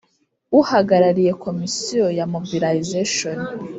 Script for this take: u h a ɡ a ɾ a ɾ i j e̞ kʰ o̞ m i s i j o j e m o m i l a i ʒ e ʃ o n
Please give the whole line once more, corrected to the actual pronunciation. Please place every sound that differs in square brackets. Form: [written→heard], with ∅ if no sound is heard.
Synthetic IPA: u h a ɡ a ɾ a ɾ i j e̞ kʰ o̞ m i s i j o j [e→a] m o [m→b] i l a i [ʒ→z] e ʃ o n